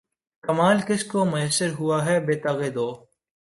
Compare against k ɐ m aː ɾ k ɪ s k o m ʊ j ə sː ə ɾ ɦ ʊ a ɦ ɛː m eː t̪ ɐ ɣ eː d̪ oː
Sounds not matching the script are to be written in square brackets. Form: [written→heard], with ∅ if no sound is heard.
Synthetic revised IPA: k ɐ m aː [ɾ→l] k ɪ s k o m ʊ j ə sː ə ɾ ɦ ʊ a ɦ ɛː [m→b] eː t̪ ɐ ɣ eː d̪ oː